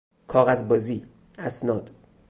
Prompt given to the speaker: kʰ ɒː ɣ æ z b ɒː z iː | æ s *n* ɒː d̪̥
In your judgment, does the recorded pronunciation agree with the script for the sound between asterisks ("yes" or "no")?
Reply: yes